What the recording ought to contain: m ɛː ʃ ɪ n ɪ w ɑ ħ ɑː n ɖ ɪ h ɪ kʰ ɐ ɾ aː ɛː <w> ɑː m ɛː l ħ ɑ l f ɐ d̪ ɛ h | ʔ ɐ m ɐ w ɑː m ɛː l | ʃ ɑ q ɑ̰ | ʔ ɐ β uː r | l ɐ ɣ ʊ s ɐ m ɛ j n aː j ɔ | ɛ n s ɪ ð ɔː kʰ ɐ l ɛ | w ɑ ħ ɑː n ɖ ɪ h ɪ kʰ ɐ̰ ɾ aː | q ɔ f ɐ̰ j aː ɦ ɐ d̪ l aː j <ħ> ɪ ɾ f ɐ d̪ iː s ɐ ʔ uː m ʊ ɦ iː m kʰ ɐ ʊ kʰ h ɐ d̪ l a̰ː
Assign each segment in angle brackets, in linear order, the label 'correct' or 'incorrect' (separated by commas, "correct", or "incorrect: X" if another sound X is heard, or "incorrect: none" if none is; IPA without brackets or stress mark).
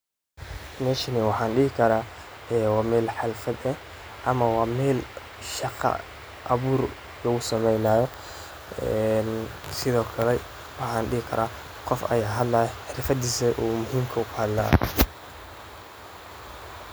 correct, correct